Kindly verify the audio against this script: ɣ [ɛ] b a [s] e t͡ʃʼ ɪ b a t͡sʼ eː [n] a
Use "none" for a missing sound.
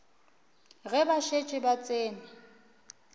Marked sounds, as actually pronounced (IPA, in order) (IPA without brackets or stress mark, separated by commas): ɛ, ʃ, n